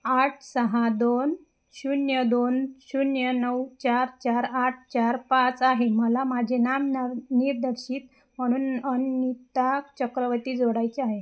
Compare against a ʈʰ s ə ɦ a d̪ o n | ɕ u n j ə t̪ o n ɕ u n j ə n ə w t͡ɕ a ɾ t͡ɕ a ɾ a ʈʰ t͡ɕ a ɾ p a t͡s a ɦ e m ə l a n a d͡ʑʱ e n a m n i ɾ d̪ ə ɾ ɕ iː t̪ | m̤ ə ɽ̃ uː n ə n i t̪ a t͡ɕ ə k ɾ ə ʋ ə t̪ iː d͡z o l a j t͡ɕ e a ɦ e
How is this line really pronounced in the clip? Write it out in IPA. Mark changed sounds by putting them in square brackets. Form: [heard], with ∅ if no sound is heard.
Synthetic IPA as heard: a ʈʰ s ə ɦ a d̪ o n | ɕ u n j ə [d̪] o n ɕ u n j ə n ə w t͡ɕ a ɾ t͡ɕ a ɾ a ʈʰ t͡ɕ a ɾ p a t͡s a ɦ e m ə l a [m] a d͡ʑʱ e n a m n i ɾ d̪ ə ɾ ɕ iː t̪ | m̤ ə ɽ̃ uː n ə n i t̪ a t͡ɕ ə k ɾ ə ʋ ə t̪ iː d͡z o [ɽ] a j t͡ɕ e a ɦ e